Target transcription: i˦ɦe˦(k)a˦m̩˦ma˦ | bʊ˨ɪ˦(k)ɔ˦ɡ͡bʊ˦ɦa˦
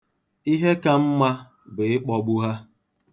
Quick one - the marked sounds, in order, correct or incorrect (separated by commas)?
correct, incorrect